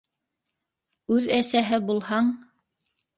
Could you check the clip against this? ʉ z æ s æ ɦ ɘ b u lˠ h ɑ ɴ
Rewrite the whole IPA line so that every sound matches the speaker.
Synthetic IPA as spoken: ʉ ð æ s æ ɦ ɘ b u lˠ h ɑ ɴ